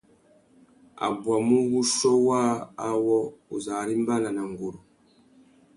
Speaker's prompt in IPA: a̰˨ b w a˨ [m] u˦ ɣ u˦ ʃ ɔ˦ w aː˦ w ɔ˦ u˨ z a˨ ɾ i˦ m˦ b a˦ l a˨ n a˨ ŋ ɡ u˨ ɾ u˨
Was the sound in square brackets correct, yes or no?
yes